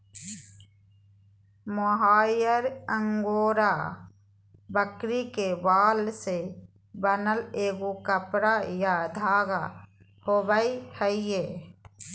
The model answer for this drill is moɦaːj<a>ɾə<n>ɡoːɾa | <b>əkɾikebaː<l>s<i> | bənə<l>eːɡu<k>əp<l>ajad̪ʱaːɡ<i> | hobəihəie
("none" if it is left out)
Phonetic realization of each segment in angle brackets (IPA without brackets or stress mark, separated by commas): ə, ŋ, b, l, e, l, k, ɾ, a